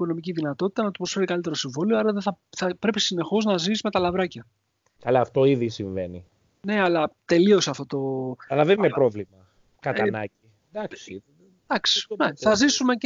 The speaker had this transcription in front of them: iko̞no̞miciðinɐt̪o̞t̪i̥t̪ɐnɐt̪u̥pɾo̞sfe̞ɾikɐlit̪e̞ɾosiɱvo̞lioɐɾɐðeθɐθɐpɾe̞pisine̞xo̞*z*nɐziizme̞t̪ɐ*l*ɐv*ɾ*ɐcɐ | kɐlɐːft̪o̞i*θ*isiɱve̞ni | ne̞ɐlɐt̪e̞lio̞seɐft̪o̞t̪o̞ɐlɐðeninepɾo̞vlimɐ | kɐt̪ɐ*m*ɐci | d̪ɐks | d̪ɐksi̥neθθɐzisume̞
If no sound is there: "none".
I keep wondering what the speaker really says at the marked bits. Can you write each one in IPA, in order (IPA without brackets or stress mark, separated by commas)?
z, l, ɾ, ð, n